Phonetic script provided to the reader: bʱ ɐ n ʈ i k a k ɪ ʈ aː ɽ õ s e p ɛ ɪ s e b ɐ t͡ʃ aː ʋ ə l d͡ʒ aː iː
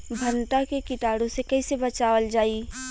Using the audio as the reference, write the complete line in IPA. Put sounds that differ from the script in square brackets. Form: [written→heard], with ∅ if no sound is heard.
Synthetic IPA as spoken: bʱ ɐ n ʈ [i→a] k [a→e] k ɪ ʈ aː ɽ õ s e [p→k] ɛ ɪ s e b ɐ t͡ʃ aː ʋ ə l d͡ʒ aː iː